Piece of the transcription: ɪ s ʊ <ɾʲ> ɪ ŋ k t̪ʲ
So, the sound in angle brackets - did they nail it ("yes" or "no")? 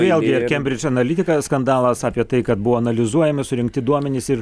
yes